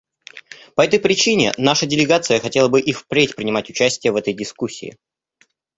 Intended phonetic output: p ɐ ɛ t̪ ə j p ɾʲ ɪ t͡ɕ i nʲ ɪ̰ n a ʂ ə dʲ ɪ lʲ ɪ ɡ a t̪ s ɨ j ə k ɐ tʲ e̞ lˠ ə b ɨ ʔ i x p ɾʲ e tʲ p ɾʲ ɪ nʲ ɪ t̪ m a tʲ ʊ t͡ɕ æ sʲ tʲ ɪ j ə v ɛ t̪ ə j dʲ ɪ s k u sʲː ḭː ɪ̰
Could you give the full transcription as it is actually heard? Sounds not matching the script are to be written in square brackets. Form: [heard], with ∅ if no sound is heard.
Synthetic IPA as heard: p ɐ ɛ t̪ ə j p ɾʲ ɪ t͡ɕ i nʲ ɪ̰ n a ʂ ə dʲ ɪ lʲ ɪ ɡ a t̪ s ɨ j ə [x] ɐ tʲ e̞ lˠ ə b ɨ ʔ i [f] p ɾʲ e tʲ p ɾʲ ɪ nʲ ɪ [∅] m a tʲ ʊ t͡ɕ æ sʲ tʲ ɪ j ə v ɛ t̪ ə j dʲ ɪ s k u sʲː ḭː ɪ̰